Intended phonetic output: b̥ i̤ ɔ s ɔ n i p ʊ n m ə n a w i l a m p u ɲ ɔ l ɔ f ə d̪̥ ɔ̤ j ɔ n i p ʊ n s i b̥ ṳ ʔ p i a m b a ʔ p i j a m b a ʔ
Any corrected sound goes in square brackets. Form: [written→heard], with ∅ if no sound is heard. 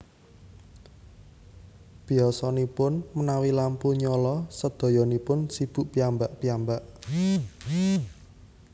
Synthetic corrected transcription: b̥ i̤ ɔ s ɔ n i p ʊ n m ə n a w i l a m p u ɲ ɔ l ɔ [f→s] ə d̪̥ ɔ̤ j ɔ n i p ʊ n s i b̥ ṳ ʔ p i a m b a ʔ p i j a m b a ʔ